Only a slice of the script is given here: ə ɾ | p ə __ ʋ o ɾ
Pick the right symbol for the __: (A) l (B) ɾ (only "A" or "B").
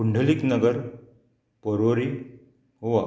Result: B